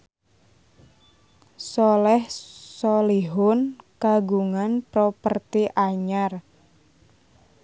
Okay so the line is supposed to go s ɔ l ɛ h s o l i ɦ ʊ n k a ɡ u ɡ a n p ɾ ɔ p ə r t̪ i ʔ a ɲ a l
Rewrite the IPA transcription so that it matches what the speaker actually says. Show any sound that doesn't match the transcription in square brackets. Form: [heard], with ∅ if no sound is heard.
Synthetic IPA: s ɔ l ɛ h s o l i ɦ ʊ n k a ɡ u [ŋ] a n p ɾ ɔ p ə r t̪ i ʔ a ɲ a [r]